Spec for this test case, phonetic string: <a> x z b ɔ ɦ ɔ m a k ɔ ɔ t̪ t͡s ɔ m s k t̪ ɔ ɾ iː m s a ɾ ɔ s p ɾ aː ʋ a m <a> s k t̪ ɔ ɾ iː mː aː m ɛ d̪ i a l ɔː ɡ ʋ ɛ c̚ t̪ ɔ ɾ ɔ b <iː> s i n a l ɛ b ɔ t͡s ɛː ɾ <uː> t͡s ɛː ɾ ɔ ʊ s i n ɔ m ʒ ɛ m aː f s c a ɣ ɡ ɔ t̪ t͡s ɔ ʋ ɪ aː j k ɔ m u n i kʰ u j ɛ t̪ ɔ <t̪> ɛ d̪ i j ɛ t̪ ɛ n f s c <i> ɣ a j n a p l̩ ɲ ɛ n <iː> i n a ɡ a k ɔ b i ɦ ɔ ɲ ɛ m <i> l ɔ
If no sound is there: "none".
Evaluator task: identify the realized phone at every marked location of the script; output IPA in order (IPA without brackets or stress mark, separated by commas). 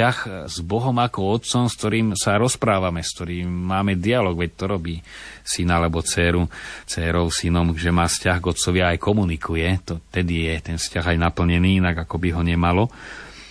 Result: a, ɛ, iː, u, t̪, a, iː, a